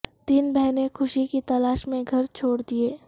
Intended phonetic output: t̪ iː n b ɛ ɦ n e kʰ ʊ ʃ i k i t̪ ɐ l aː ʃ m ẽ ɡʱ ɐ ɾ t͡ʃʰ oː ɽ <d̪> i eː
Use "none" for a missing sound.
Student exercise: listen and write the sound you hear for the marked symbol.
d̪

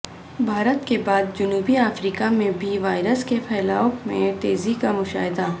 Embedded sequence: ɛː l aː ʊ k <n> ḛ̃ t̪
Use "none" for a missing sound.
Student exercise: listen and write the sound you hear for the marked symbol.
m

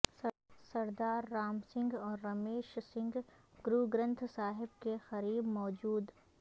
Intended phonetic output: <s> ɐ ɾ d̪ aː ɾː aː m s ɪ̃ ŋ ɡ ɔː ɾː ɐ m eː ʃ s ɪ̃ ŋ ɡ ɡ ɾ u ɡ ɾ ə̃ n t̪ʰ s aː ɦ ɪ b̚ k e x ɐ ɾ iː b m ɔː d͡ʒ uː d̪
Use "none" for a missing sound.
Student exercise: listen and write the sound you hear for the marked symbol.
s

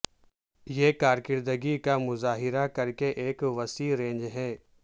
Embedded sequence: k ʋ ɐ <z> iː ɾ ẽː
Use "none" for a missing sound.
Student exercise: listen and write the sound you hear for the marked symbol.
s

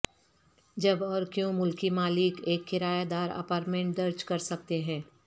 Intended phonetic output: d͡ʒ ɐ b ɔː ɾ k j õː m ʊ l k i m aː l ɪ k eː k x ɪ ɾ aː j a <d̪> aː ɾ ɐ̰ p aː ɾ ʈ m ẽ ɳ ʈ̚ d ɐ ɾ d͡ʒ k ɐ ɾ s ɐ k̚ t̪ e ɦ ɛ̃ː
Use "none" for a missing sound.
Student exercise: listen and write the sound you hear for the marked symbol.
d̪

